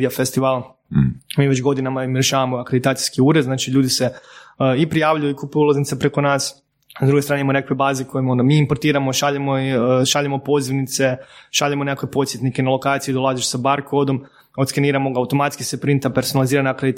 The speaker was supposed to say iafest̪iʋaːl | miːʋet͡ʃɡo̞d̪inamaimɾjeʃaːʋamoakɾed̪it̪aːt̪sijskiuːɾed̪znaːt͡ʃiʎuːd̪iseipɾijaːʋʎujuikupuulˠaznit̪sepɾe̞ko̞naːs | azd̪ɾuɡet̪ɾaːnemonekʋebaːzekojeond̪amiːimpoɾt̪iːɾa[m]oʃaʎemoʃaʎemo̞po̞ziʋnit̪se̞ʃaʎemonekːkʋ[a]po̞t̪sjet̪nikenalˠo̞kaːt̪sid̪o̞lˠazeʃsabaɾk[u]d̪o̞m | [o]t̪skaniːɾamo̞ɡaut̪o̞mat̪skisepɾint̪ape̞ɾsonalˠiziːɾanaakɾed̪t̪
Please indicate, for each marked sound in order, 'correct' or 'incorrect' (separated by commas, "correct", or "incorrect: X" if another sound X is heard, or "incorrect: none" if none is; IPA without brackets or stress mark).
correct, incorrect: e, incorrect: o, correct